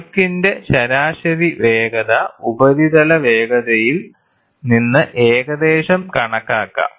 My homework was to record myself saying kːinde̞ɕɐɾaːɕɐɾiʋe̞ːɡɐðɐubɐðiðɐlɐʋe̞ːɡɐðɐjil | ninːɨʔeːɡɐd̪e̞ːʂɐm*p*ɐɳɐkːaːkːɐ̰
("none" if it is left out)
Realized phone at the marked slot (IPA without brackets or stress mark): k